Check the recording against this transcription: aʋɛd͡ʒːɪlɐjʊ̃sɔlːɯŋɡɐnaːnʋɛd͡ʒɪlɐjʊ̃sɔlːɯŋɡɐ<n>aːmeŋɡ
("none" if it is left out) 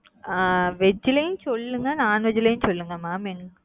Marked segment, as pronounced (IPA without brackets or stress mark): m